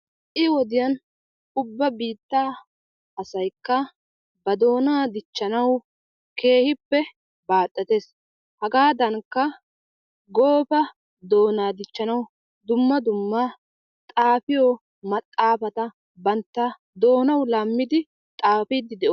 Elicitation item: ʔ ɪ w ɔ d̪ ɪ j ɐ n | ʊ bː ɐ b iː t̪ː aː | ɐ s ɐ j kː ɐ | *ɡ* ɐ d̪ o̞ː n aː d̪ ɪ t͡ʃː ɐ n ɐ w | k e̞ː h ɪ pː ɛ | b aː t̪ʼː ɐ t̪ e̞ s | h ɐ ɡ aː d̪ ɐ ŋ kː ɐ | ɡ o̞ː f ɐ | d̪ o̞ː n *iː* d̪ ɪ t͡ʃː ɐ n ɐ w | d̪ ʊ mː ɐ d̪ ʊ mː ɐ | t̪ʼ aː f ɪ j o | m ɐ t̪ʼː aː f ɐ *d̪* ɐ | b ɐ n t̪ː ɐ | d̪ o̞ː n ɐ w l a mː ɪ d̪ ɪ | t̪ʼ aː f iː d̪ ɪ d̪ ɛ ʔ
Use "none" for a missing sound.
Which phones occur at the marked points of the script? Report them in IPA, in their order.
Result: b, aː, t̪

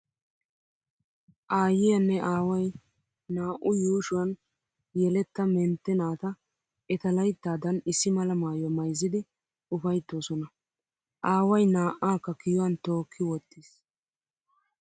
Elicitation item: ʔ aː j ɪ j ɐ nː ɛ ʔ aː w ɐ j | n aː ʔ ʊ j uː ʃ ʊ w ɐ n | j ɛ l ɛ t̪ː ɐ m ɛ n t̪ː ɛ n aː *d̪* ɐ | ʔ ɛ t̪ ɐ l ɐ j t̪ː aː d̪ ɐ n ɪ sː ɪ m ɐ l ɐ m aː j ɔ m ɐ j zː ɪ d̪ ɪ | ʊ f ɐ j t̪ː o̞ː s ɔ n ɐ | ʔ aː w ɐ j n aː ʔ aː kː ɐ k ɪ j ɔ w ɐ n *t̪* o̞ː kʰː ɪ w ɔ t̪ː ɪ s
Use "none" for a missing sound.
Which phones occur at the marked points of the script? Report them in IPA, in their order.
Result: t̪, t̪

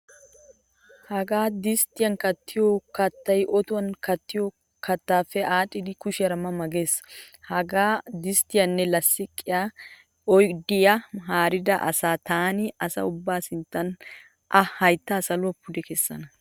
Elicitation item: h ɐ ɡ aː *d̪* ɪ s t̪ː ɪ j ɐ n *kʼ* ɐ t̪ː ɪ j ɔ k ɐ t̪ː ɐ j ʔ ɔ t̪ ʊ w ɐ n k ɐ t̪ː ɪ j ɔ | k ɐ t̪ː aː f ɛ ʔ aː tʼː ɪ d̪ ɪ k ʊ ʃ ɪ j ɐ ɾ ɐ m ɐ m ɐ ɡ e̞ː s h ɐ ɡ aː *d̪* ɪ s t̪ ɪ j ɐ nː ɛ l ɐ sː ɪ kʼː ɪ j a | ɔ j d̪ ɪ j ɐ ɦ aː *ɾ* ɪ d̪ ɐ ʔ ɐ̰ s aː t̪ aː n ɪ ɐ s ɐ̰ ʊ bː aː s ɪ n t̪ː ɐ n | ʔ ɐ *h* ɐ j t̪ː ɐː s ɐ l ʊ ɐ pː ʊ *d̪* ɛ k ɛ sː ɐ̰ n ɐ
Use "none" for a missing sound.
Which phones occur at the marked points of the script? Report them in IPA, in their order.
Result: d̪, k, d̪, ɾ, h, d̪

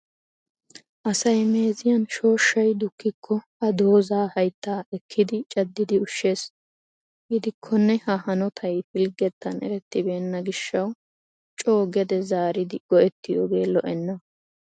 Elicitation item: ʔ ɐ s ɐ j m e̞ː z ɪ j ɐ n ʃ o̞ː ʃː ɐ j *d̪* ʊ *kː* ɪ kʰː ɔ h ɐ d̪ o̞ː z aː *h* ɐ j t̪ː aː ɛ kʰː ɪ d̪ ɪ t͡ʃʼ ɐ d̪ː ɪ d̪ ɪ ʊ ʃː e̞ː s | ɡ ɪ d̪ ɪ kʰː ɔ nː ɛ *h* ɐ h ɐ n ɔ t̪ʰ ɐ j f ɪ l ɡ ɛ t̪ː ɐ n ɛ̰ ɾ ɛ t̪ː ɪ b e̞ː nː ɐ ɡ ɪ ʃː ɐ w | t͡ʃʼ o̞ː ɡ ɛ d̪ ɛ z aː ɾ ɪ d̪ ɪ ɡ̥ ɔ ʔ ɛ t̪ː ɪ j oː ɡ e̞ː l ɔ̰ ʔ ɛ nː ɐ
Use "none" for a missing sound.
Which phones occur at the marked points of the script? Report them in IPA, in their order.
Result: d̪, kː, h, h

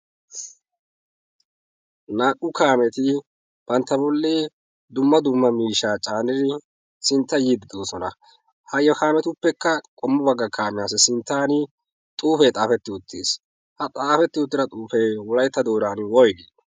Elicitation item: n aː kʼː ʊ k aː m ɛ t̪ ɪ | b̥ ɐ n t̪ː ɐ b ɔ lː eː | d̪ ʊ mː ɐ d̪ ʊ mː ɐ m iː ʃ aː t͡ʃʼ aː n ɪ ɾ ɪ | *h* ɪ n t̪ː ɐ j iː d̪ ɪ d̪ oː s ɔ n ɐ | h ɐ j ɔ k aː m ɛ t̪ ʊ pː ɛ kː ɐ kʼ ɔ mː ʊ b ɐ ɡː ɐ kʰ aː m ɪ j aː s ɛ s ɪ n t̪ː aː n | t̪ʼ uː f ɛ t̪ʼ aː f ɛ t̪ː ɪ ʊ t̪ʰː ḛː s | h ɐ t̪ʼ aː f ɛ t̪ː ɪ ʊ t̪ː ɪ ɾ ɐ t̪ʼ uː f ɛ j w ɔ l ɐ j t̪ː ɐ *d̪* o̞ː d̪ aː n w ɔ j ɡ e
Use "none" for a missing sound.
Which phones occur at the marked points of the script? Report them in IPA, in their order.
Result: s, d̪

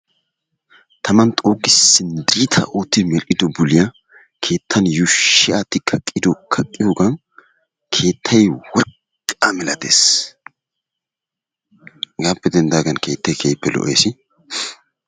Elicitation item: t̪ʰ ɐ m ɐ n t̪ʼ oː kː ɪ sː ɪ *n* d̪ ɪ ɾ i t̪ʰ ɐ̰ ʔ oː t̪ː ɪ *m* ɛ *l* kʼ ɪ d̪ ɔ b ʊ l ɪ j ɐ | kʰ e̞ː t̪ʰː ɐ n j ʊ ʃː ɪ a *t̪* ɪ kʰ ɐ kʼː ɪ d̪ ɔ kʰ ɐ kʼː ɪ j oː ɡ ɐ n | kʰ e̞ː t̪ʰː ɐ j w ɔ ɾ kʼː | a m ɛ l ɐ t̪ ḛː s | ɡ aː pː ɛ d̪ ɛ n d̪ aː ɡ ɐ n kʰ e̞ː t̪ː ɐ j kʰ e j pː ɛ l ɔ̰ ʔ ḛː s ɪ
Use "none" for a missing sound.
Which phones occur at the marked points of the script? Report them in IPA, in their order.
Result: n, m, l, t̪

